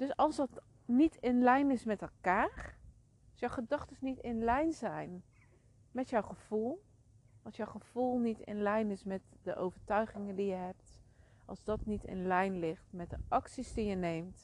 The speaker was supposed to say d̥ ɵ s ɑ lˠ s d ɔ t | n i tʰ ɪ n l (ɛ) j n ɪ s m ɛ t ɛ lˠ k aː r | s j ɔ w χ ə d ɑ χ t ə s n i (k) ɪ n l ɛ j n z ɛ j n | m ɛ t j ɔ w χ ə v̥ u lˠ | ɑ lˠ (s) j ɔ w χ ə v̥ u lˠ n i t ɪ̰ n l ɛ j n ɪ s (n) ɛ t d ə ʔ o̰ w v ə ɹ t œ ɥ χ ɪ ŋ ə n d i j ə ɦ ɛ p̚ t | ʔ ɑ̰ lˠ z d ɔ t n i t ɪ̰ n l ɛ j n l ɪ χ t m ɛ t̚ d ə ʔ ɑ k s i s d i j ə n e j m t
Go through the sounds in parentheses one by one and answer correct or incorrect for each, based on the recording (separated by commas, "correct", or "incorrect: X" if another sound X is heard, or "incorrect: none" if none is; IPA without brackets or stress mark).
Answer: correct, incorrect: t, correct, incorrect: m